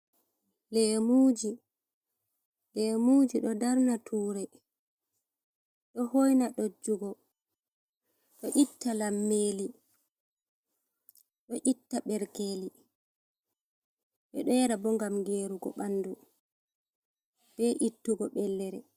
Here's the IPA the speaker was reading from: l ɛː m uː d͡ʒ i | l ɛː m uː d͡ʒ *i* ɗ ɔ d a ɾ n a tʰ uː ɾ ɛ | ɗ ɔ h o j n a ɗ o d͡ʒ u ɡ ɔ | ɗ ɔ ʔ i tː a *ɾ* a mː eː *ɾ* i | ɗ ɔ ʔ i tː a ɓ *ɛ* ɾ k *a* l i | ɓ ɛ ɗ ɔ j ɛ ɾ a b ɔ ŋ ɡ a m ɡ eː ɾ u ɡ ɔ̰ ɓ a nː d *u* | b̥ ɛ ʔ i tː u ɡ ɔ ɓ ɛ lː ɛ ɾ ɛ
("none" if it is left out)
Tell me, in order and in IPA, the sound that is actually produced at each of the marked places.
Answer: i, l, l, ɛ, e, u

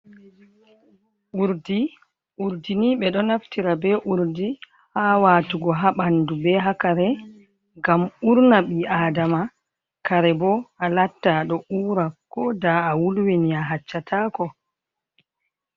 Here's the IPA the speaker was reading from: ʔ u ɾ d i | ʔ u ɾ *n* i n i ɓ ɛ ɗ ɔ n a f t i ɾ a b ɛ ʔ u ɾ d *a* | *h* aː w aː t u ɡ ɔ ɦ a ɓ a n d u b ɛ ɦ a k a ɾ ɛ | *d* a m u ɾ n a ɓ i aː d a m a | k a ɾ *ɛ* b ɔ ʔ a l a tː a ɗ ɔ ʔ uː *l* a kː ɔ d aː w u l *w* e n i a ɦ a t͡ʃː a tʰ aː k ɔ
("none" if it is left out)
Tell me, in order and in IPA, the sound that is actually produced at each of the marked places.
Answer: d, i, h, ɡ, ɛ, ɾ, w

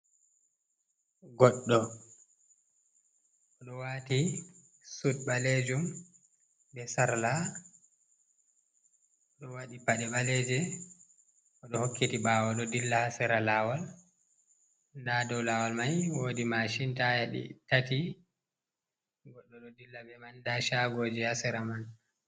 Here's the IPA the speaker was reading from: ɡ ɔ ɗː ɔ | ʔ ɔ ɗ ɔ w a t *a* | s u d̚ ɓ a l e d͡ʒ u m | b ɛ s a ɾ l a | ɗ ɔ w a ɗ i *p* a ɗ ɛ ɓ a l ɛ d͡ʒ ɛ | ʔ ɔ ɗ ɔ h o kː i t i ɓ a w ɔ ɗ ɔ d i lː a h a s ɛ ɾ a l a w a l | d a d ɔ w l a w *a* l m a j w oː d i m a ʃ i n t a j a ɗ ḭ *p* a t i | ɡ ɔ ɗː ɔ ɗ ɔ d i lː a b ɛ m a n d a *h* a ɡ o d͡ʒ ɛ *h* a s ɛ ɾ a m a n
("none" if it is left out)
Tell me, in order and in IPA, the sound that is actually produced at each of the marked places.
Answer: i, p, a, t, ʃ, h

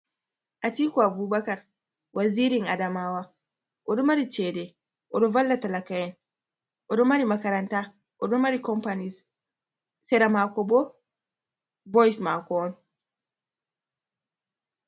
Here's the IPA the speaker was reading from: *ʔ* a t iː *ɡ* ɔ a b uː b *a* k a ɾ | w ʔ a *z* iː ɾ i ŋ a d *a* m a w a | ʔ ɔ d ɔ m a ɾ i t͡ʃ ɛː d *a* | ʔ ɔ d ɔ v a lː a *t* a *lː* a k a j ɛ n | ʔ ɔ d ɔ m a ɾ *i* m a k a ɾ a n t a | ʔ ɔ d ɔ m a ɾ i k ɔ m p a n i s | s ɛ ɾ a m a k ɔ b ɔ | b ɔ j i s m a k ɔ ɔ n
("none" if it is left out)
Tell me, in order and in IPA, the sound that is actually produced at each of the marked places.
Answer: ʔ, k, a, z, a, ɛ, t, l, i

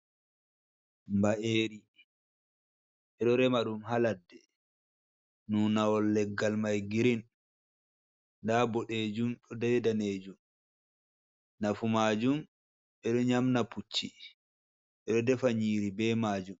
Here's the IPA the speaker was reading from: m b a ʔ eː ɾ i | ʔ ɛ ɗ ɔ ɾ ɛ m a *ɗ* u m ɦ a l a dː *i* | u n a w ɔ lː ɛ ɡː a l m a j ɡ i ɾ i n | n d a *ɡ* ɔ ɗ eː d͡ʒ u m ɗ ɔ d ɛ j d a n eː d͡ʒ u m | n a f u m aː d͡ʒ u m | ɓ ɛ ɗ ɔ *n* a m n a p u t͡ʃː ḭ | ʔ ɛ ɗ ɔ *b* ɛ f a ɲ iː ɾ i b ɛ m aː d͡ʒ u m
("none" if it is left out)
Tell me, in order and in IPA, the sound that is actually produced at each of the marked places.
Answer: ɗ, ɛ, b, ɲ, d

